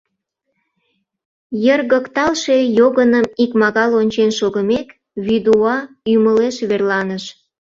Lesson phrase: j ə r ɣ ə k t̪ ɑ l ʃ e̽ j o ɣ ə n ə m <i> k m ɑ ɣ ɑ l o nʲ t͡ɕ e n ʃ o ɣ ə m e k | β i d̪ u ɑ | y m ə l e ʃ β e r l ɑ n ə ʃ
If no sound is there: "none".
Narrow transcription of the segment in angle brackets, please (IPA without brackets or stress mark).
i